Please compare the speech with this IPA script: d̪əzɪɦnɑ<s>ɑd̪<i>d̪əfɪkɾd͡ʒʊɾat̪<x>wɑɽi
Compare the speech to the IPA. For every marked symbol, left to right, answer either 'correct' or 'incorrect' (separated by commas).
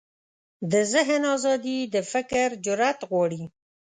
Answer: incorrect, correct, incorrect